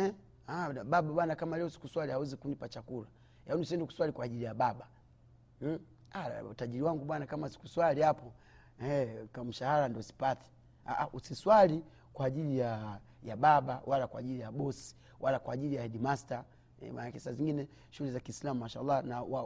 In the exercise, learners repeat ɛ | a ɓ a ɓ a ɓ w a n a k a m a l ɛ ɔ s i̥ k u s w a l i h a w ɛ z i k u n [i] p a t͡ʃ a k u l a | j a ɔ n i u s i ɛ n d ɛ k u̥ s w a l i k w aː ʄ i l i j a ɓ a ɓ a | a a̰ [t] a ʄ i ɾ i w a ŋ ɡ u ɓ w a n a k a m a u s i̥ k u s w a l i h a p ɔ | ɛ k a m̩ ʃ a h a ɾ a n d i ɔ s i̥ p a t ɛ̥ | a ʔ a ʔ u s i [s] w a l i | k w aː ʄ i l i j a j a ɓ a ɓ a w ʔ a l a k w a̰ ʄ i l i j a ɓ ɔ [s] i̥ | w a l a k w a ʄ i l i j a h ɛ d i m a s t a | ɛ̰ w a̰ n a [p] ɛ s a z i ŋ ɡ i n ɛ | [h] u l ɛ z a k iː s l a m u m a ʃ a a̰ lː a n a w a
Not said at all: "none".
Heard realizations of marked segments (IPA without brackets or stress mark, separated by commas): i, t, s, s, k, ʃ